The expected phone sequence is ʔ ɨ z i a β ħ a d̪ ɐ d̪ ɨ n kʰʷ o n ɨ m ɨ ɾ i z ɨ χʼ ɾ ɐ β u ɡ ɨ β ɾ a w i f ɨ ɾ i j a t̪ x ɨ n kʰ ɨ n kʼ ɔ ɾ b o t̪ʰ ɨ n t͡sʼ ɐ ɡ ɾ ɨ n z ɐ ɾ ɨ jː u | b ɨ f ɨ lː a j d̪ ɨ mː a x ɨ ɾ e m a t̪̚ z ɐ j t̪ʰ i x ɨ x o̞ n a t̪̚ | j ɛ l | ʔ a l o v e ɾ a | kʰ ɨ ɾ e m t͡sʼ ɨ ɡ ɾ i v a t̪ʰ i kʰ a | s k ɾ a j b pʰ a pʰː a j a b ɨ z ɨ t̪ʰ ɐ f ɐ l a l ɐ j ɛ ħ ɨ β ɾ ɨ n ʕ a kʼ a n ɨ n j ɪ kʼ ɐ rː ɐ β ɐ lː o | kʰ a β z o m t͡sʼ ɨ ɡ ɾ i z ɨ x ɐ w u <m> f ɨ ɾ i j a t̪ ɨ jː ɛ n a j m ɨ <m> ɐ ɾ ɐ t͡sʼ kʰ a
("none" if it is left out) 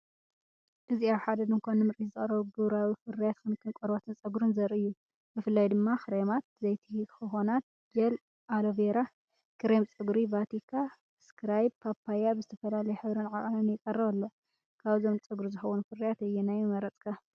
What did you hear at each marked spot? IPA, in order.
n, m

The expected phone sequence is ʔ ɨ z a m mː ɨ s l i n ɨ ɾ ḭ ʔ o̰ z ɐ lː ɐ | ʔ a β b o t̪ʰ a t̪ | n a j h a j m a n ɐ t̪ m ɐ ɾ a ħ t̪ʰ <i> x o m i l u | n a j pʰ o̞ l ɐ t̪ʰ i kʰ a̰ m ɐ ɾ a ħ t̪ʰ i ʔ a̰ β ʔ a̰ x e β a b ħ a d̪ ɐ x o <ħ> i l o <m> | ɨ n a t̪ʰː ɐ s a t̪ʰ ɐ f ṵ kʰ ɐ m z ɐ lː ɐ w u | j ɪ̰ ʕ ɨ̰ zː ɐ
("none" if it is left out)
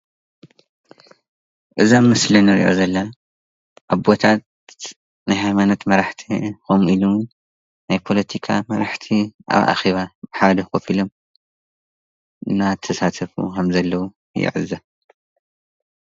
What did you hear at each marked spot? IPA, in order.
i, f, m

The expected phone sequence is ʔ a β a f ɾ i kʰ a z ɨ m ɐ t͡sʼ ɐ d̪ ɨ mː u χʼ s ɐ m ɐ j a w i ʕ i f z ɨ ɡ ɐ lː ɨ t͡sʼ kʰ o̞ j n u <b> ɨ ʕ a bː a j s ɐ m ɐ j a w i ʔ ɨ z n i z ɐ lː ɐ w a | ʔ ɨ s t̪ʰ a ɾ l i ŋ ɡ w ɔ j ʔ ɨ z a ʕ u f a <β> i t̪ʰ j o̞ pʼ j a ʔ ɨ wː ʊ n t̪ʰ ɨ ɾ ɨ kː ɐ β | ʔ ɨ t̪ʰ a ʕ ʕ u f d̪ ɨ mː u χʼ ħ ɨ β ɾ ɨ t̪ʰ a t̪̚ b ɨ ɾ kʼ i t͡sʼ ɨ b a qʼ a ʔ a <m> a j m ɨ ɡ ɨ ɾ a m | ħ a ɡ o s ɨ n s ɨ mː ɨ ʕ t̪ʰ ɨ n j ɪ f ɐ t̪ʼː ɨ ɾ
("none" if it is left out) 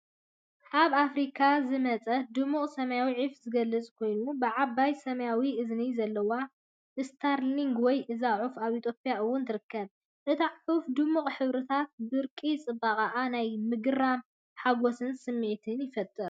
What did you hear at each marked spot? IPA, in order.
b, β, n

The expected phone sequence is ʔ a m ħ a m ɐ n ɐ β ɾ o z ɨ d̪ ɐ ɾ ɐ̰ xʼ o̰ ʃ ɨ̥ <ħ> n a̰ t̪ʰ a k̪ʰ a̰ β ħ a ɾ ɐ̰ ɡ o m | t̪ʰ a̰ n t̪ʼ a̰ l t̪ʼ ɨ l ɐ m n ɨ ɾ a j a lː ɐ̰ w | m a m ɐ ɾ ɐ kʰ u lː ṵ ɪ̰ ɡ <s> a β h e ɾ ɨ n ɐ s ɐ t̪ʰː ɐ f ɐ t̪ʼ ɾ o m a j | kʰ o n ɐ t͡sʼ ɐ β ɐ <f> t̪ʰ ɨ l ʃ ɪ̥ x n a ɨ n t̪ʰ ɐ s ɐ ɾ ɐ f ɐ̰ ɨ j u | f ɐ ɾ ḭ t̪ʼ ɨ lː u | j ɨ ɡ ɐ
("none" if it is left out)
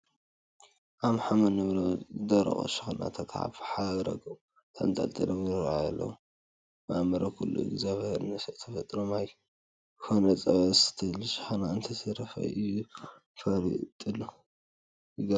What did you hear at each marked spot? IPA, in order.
x, z, s

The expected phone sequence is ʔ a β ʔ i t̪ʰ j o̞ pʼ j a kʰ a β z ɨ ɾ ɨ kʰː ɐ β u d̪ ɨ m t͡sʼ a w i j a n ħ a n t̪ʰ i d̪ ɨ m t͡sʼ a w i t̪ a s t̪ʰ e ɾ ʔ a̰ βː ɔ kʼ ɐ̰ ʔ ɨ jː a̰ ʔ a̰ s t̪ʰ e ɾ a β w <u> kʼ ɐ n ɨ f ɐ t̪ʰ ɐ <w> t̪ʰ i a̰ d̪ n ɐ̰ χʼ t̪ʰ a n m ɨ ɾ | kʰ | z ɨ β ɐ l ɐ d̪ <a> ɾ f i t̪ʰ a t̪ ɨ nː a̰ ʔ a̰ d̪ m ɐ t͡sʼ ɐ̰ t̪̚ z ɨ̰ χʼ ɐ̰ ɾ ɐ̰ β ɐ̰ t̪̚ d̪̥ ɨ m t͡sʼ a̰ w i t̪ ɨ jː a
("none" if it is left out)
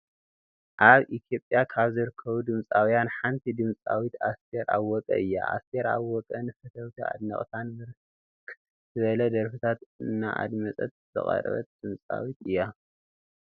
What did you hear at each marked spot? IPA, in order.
ɔ, w, ɐ

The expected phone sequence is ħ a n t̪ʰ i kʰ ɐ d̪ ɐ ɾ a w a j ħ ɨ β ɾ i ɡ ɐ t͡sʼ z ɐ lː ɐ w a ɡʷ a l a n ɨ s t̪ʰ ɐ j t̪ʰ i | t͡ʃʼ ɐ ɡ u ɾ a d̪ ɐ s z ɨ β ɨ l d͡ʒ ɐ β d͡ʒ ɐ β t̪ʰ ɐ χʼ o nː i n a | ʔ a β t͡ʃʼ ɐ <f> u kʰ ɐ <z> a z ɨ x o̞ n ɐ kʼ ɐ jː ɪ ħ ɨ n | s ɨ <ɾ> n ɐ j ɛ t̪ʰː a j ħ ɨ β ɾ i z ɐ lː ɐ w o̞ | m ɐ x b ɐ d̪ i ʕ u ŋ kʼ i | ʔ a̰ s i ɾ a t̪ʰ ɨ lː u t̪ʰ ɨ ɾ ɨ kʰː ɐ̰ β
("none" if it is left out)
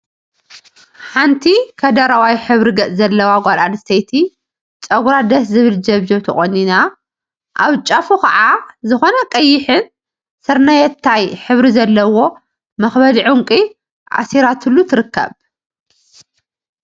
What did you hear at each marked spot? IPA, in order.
f, ʕ, ɾ

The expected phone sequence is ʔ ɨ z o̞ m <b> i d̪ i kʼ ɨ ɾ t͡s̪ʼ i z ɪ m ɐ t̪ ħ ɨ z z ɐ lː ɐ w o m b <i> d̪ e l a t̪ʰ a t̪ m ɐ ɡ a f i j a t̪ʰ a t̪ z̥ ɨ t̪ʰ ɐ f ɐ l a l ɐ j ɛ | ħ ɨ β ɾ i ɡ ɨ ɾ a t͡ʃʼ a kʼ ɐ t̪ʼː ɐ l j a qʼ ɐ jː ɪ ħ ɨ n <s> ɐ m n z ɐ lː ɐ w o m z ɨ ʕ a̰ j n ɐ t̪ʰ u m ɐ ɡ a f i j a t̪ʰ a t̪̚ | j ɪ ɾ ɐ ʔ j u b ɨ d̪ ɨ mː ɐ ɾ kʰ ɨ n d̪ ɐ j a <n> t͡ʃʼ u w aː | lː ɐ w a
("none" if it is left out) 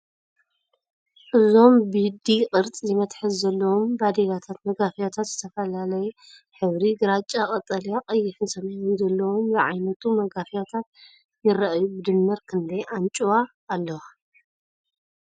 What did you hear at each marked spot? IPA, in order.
b, a, s, n

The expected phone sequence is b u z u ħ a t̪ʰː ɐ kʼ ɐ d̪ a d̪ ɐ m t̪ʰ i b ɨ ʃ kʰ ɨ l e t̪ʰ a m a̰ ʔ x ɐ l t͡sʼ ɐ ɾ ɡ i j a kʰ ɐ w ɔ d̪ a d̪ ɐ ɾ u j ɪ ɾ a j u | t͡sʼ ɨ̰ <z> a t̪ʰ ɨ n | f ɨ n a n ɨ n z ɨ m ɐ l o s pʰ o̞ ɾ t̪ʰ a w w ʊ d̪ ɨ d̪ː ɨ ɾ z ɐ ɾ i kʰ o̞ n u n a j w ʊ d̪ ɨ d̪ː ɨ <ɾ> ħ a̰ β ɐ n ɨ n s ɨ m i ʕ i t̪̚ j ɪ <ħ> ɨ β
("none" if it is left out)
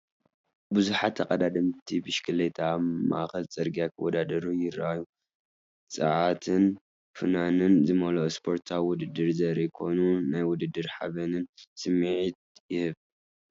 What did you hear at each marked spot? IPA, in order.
ʕ, ɾ, h

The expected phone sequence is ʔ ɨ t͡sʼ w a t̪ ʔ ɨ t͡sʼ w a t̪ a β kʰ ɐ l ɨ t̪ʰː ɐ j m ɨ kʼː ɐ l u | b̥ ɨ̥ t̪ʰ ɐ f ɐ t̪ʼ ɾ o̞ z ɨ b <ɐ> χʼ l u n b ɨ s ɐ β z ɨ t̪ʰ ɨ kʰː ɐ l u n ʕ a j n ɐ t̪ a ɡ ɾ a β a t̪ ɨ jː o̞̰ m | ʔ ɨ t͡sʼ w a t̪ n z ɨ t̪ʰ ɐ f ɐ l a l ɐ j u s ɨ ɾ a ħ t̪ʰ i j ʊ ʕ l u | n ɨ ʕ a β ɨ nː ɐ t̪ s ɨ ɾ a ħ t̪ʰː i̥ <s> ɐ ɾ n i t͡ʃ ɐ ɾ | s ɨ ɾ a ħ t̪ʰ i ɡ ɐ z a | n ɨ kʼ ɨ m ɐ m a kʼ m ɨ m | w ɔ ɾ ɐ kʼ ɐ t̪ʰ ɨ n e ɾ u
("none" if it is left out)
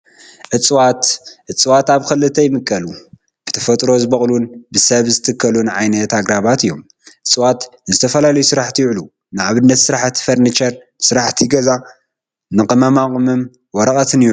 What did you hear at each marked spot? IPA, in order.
ɐ, f

